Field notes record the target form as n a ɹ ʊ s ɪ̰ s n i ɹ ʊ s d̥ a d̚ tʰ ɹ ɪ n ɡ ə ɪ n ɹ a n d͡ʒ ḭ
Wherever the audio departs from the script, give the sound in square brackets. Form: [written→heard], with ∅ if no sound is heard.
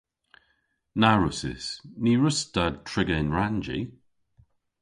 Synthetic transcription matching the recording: n a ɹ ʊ s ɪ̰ s n i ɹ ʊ s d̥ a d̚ tʰ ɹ ɪ [n→∅] ɡ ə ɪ n ɹ a n d͡ʒ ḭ

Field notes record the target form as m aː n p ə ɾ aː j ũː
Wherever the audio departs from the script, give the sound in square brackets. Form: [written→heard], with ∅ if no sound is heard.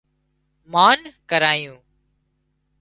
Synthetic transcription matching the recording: m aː n [p→k] ə ɾ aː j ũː

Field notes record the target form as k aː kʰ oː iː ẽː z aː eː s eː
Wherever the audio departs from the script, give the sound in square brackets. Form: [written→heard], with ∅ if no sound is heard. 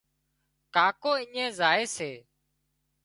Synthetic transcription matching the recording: k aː [kʰ→k] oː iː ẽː z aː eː s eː

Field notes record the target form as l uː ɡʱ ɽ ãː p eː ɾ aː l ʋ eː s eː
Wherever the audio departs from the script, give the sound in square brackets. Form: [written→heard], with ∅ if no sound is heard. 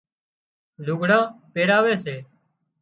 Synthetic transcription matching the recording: l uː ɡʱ ɽ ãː p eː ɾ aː [l→∅] ʋ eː s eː

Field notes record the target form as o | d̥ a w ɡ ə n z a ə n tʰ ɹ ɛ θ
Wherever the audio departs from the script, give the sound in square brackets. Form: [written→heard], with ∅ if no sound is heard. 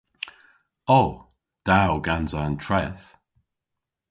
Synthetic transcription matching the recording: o | d̥ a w ɡ [ə→a] n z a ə n tʰ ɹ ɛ θ

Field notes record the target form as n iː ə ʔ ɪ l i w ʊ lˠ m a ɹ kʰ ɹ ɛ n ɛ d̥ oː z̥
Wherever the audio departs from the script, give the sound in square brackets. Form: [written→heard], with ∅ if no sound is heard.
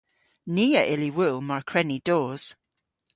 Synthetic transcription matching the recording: n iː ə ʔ ɪ l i w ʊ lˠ m a ɹ kʰ ɹ ɛ n [ɛ→i] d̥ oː z̥

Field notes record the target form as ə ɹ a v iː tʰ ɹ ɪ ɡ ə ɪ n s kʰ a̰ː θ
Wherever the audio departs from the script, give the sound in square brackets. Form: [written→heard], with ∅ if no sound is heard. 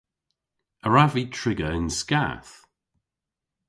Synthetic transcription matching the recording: ə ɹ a v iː tʰ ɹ ɪ ɡ ə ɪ n s [kʰ→k] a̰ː θ

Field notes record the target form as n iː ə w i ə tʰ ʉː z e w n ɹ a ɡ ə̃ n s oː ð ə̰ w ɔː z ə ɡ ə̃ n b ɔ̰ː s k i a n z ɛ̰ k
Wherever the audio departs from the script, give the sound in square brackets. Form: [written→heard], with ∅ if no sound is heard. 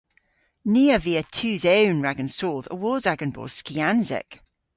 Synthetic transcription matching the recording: n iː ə [w→v] i ə tʰ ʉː z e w n ɹ a ɡ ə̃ n s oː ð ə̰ w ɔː z [ə→a] ɡ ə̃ n b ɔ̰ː s k i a n z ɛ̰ k

